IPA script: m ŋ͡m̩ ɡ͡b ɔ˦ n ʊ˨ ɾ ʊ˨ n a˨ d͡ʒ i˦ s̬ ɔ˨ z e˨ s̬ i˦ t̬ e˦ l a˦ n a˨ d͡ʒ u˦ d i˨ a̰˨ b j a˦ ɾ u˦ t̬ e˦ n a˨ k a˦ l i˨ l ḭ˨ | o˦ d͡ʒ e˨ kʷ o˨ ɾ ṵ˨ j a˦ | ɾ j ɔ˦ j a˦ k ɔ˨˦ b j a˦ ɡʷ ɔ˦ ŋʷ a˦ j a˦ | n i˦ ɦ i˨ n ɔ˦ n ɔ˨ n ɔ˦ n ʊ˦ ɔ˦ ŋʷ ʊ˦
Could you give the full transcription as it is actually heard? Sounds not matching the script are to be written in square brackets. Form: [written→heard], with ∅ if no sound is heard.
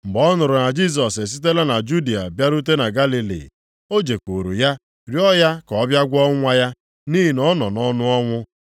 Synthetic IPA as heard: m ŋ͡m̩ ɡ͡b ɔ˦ n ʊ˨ ɾ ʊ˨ n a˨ d͡ʒ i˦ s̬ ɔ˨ [z→s] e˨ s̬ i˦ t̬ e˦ l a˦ n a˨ d͡ʒ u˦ d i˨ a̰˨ b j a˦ ɾ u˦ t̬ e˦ n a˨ [k→ɡ] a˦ l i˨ l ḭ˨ | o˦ d͡ʒ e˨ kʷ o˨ ɾ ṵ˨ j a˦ | ɾ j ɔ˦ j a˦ k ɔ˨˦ b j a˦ ɡʷ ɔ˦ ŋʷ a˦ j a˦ | n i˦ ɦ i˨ n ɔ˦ n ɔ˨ n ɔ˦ n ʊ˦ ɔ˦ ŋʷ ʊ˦

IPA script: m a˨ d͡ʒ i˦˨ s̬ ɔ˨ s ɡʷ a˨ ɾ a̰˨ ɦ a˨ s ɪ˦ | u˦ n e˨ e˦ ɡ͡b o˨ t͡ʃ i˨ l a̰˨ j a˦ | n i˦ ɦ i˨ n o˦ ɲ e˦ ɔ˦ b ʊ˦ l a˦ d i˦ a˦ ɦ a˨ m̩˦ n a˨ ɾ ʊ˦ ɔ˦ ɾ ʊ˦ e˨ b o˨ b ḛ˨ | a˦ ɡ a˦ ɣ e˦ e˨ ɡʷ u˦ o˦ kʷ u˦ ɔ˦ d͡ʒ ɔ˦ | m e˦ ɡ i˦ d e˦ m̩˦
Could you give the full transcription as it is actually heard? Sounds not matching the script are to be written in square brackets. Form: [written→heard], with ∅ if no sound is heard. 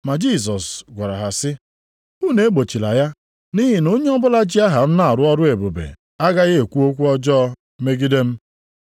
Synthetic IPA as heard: m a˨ d͡ʒ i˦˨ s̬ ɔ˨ s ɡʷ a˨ ɾ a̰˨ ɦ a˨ s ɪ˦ | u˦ n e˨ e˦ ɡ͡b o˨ t͡ʃ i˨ l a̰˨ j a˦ | n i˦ ɦ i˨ n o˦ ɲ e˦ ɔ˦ b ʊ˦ l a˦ [d→d͡ʒ] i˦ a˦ ɦ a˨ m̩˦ n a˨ ɾ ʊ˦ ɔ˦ ɾ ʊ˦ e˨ b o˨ b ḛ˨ | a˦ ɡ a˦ ɣ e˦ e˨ [ɡʷ→kʷ] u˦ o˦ kʷ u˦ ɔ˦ d͡ʒ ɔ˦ | m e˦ ɡ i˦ d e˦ m̩˦

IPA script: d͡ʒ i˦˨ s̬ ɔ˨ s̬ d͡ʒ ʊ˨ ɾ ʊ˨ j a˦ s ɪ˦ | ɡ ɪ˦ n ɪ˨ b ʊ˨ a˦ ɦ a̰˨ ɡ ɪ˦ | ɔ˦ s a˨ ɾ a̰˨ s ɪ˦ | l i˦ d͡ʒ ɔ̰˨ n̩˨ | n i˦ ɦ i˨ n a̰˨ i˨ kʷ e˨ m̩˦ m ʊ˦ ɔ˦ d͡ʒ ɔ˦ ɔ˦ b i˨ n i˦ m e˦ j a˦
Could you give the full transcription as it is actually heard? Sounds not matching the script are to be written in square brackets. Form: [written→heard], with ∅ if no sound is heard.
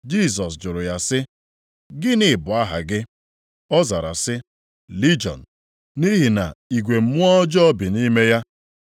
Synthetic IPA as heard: d͡ʒ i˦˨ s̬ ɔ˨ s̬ d͡ʒ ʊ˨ ɾ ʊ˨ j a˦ s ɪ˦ | ɡ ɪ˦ n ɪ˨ b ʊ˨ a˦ ɦ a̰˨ ɡ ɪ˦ | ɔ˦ [s→z] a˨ ɾ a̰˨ s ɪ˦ | l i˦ d͡ʒ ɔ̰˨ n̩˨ | n i˦ ɦ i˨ n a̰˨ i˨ [kʷ→ɡʷ] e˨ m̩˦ m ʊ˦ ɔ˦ d͡ʒ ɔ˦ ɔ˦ b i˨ n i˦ m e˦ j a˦

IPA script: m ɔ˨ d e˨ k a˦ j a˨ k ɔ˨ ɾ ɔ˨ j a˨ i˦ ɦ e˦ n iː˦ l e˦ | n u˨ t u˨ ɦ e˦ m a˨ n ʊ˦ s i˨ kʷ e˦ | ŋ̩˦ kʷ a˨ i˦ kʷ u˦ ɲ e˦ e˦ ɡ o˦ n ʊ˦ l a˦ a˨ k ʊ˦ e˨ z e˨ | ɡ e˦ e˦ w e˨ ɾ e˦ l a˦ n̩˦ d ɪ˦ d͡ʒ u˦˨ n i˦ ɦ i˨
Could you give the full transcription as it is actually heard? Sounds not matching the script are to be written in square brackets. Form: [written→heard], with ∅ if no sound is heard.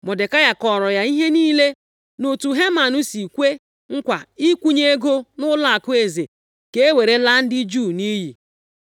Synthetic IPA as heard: m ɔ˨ d e˨ k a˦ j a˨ k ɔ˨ ɾ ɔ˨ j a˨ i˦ ɦ e˦ n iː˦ l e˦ | n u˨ t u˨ ɦ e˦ m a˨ n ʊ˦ s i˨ kʷ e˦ | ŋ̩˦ kʷ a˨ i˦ kʷ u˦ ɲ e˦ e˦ ɡ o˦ n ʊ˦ l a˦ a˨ k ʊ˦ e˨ z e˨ | [ɡ→k] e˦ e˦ w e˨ ɾ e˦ l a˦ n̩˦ d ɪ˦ d͡ʒ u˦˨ n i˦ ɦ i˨

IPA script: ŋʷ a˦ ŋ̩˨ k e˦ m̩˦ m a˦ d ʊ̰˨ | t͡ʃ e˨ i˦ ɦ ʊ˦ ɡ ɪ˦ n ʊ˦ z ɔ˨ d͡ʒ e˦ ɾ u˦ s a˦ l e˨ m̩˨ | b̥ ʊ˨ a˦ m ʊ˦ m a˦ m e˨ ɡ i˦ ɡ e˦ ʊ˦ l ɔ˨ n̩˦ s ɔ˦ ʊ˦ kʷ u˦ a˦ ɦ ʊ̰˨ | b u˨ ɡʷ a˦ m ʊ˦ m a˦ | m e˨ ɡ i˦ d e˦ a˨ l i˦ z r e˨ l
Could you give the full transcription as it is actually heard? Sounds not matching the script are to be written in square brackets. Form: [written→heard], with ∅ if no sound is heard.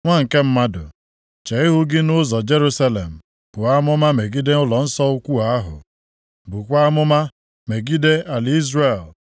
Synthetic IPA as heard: ŋʷ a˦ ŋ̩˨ k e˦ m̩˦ m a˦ d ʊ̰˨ | t͡ʃ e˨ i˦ ɦ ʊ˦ ɡ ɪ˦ n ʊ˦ z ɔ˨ d͡ʒ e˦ ɾ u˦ s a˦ l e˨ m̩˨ | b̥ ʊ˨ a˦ m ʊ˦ m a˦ m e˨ ɡ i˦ [ɡ→d] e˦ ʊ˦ l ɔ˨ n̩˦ s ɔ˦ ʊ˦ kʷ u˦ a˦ ɦ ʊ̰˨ | b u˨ [ɡʷ→kʷ] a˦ m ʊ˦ m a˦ | m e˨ ɡ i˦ d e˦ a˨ l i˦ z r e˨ l

